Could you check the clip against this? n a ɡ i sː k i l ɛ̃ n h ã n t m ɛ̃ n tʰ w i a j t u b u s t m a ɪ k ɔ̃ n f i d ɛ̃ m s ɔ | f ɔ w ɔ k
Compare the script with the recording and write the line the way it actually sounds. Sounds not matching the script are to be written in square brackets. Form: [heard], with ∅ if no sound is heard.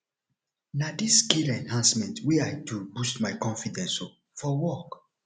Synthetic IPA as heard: n a [d] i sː k i l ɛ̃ n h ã n [s] m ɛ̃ n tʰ w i a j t u b u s t m a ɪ k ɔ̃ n f i d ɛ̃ [n] s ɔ | f ɔ w ɔ k